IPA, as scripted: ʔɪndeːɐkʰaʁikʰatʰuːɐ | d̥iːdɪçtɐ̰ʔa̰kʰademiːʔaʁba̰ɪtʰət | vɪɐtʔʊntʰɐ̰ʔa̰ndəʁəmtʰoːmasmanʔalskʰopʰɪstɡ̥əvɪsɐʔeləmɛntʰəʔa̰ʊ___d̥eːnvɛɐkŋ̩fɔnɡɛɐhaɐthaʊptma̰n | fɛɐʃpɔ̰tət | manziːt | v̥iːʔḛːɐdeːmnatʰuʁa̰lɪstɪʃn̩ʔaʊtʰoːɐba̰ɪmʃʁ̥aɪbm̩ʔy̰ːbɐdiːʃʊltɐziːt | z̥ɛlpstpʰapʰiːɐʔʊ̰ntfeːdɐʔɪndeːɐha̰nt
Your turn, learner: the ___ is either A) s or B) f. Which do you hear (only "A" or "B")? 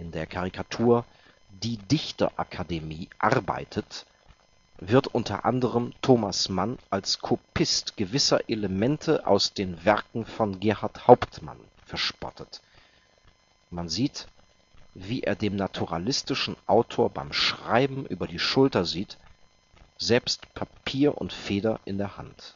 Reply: A